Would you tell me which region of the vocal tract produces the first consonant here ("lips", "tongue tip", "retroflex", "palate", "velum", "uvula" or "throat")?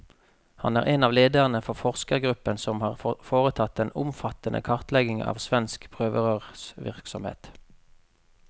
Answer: throat